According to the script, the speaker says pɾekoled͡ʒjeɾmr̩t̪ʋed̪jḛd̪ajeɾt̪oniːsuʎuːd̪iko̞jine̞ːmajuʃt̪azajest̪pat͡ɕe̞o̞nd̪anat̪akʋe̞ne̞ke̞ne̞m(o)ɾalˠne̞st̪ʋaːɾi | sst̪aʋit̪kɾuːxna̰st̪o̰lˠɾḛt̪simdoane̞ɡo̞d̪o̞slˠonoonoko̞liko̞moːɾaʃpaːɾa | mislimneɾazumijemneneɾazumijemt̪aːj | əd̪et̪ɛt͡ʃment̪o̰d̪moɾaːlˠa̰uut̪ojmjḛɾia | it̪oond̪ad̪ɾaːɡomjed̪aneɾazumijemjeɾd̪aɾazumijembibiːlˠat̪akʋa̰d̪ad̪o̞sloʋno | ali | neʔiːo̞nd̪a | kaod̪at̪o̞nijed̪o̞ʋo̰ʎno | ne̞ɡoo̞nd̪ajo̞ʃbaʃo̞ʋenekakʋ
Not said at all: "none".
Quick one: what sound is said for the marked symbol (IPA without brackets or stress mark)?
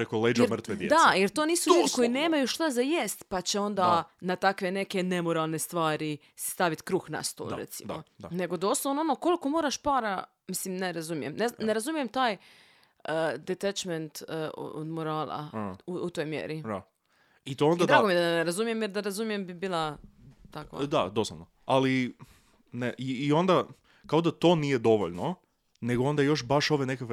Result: o